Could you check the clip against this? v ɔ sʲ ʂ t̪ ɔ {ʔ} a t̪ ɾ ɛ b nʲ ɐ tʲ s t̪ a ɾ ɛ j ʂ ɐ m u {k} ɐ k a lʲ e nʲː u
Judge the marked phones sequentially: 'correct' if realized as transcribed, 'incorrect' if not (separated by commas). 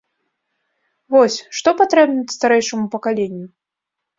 incorrect, incorrect